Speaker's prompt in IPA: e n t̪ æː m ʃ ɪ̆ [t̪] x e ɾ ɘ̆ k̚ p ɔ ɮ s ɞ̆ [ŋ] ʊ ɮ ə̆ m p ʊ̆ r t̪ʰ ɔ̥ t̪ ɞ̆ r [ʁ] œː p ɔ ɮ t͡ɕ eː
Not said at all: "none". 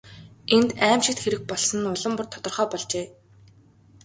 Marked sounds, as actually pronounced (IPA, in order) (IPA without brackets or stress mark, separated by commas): t̪, n, χ